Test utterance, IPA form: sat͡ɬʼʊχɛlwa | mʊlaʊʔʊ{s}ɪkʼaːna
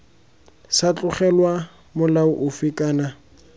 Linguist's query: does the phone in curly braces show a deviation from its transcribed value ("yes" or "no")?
yes